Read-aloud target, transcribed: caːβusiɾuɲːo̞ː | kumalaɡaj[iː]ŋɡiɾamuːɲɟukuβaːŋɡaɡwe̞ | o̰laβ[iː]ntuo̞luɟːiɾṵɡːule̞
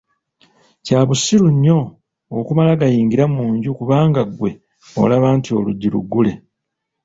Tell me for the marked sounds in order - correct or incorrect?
correct, incorrect: aː

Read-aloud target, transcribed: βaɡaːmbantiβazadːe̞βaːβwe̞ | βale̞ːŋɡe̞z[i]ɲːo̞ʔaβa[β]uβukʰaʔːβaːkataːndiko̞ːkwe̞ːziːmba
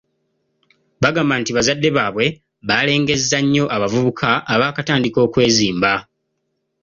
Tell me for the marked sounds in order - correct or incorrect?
incorrect: a, incorrect: v

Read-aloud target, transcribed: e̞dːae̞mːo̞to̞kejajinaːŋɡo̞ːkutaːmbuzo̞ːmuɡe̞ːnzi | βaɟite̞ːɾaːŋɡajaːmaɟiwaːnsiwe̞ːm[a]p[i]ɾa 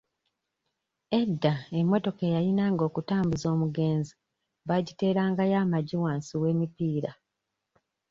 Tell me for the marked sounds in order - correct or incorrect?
incorrect: i, incorrect: iː

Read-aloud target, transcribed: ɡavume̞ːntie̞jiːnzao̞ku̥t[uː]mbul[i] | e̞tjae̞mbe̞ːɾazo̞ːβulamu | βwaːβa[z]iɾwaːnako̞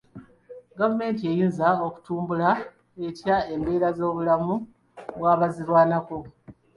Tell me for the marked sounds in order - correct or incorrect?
correct, incorrect: a, correct

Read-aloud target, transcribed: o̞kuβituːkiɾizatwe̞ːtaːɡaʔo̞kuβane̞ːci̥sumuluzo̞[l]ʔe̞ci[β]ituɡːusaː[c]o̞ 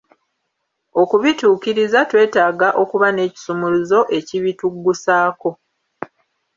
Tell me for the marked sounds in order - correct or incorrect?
incorrect: none, correct, incorrect: k

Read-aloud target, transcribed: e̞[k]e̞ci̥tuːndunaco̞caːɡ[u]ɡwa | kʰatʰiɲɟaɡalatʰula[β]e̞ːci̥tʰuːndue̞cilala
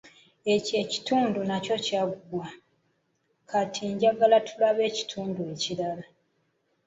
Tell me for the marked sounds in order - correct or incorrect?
incorrect: c, correct, correct

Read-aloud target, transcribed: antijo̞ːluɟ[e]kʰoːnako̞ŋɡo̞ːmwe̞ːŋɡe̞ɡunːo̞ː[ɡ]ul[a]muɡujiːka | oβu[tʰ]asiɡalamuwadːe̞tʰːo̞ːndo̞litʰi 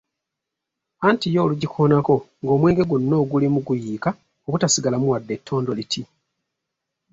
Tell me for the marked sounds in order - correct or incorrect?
incorrect: i, correct, incorrect: i, incorrect: t

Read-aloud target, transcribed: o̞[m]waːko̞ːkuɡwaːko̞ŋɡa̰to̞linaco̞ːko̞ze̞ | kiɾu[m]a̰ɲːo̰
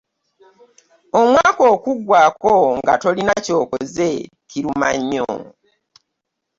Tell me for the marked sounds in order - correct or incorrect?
correct, correct

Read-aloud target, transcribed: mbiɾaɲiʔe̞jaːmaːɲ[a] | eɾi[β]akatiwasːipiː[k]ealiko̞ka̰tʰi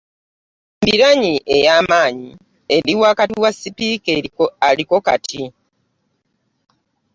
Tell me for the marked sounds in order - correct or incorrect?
incorrect: i, incorrect: w, correct

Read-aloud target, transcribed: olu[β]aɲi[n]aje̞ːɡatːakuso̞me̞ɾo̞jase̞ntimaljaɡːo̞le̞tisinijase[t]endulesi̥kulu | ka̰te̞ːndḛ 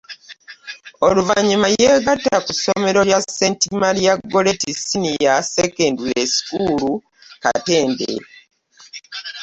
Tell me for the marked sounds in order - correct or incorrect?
incorrect: v, incorrect: m, incorrect: k

